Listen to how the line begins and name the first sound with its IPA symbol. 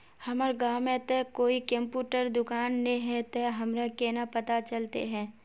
h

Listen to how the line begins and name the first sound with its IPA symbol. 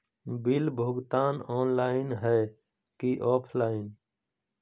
b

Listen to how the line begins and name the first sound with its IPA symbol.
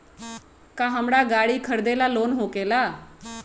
k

